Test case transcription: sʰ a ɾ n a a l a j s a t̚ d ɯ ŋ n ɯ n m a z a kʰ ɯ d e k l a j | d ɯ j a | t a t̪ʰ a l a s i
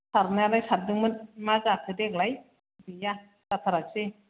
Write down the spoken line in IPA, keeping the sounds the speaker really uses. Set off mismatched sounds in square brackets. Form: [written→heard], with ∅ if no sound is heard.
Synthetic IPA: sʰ a ɾ n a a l a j s a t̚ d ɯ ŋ [n→m] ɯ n m a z a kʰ ɯ d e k l a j | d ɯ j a | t a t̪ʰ a [l→ɾ] a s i